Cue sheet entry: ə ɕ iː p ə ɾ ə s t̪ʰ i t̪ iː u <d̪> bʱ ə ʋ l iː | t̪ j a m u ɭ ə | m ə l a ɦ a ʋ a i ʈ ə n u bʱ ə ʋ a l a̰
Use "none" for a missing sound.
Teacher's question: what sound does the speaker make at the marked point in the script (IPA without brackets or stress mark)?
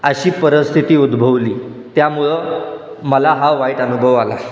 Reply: d̪